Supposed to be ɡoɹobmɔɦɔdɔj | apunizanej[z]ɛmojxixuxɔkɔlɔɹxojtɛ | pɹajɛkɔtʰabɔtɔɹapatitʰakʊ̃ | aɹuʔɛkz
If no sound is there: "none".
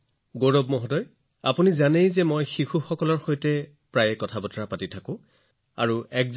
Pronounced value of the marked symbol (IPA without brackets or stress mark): z